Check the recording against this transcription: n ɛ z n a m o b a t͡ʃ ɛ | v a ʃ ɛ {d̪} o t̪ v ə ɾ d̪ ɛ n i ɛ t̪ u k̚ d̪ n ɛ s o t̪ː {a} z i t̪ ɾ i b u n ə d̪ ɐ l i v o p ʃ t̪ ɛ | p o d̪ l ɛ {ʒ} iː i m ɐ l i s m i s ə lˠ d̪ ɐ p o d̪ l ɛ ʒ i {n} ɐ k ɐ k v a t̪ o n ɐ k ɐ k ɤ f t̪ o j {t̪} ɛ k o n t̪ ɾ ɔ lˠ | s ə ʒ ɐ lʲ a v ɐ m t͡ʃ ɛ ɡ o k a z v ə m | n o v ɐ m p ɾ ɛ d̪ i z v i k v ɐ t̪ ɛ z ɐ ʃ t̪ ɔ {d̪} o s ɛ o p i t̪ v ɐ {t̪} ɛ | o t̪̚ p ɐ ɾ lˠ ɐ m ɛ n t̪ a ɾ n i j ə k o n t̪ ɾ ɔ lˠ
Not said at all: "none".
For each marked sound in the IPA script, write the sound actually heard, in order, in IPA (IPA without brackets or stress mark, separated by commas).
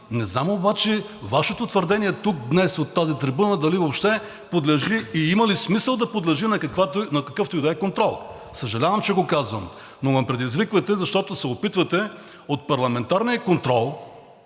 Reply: t̪, a, ʒ, n, d̪, t̪, t̪